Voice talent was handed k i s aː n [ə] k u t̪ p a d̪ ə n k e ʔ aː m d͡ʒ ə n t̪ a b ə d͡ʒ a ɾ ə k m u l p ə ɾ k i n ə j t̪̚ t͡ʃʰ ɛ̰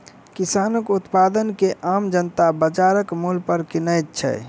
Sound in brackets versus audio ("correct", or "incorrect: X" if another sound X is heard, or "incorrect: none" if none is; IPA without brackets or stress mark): correct